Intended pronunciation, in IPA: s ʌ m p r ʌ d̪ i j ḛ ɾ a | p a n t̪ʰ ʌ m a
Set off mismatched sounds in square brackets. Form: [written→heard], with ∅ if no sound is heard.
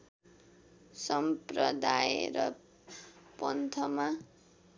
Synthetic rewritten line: s ʌ m p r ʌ d̪ [i→a] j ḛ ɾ [a→ʌ] | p [a→ʌ] n t̪ʰ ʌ m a